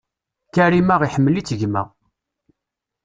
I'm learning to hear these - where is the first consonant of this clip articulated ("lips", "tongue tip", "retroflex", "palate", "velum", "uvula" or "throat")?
velum